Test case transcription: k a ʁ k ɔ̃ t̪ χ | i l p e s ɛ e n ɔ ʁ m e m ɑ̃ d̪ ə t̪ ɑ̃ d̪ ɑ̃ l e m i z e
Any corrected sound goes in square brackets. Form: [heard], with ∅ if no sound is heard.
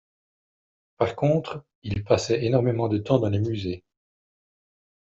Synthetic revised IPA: [p] a ʁ k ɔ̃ t̪ χ | i l p [a] s ɛ e n ɔ ʁ m e m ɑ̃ d̪ ə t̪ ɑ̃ d̪ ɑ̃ l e m [y] z e